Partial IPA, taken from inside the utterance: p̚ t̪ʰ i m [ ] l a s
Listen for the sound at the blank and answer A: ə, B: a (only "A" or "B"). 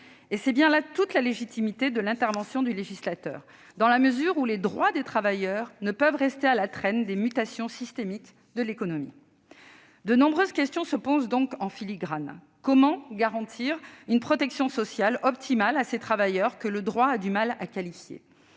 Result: B